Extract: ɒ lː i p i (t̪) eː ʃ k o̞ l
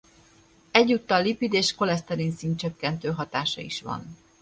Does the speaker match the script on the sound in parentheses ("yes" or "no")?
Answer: no